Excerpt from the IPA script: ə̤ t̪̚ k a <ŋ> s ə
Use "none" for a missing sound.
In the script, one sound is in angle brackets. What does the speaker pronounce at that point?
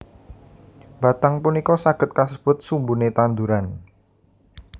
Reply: none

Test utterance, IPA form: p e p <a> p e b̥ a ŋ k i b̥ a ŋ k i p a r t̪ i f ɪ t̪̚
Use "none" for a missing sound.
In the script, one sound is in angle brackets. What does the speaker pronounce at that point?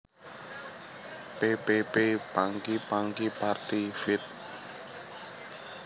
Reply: e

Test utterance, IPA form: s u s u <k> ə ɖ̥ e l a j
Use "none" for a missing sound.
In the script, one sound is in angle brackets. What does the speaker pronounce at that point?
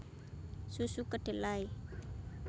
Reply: k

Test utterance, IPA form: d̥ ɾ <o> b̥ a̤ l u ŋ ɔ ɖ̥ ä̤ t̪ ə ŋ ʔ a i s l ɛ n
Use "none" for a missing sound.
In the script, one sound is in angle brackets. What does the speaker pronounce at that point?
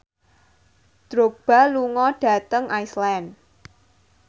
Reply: o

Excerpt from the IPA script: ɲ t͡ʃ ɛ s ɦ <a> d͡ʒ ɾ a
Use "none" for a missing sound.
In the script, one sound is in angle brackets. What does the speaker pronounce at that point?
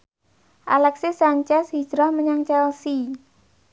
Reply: i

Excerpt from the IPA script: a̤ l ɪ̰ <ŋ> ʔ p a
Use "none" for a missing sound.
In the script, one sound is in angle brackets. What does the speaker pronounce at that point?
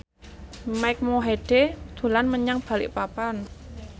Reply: none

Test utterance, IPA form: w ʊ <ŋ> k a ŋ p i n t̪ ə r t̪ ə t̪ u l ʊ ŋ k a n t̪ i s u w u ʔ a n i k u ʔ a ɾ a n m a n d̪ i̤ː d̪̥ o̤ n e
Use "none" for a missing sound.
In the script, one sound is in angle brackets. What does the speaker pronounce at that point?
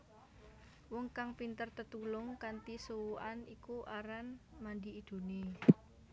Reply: ŋ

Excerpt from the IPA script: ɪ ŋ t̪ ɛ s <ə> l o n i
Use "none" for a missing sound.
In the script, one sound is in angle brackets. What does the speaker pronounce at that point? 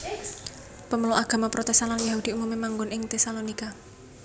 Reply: a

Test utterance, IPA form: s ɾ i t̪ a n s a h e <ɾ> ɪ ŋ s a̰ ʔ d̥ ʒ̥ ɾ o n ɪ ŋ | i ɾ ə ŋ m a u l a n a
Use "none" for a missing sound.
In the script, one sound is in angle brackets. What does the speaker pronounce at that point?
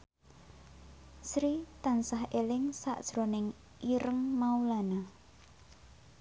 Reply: l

